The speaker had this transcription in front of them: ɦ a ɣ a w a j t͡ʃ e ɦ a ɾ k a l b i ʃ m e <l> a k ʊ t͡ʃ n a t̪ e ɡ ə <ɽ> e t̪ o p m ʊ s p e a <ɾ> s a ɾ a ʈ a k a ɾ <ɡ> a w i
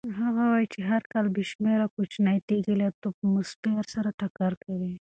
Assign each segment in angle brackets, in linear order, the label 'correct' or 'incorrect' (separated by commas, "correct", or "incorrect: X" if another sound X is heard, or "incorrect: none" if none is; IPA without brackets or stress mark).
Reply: incorrect: ɾ, incorrect: l, correct, incorrect: k